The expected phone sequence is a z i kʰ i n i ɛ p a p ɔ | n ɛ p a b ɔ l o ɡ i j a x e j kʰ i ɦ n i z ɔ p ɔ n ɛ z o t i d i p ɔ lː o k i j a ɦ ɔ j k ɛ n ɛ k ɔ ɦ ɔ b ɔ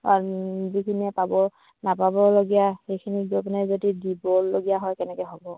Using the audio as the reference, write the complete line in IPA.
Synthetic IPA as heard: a z i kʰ i n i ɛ p a b ɔ | n a p a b ɔ l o ɡ i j a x e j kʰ i n i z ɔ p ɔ n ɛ z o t i d i b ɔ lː o ɡ i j a ɦ ɔ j k ɛ n ɛ k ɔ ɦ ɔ b ɔ